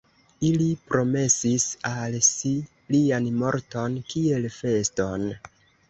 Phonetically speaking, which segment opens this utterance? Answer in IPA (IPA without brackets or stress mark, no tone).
i